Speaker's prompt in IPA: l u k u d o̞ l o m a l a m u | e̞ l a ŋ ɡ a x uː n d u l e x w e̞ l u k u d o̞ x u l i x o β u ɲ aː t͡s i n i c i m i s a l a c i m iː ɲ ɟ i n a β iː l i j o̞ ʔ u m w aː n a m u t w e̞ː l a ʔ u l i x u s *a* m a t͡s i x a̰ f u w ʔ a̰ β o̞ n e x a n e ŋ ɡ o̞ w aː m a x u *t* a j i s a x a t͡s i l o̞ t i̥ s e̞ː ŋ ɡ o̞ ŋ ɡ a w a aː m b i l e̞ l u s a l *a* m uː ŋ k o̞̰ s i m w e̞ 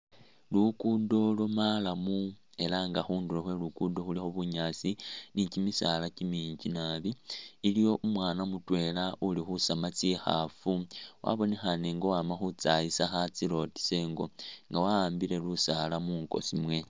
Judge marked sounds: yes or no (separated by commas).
yes, no, yes